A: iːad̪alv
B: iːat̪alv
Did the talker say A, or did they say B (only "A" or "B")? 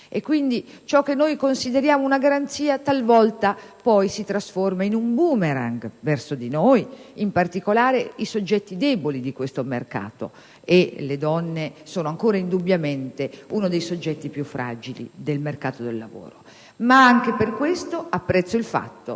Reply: B